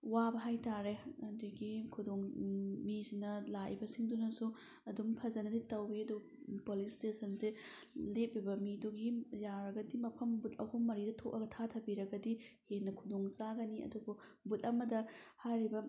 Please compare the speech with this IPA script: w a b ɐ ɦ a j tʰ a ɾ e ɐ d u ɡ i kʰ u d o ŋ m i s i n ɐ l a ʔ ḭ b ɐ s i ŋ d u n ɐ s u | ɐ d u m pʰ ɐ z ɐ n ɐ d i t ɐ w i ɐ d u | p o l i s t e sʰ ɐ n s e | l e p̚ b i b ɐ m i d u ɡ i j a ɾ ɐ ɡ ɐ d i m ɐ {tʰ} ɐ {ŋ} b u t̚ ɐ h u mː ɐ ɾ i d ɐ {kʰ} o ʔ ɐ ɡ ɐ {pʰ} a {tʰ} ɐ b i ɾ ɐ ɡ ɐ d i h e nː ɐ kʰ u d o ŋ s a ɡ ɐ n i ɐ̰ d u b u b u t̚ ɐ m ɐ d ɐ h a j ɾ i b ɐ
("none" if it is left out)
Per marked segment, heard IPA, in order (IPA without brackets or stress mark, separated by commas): pʰ, m, tʰ, tʰ, tʰ